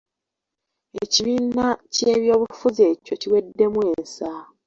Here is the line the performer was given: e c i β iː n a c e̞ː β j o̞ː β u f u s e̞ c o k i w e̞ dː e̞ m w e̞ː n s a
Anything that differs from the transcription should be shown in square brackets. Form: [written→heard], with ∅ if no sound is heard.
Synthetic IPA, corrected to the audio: e c i β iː n a c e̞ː β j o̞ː β u f u [s→z] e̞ c o [k→c] i w e̞ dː e̞ m w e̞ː n s a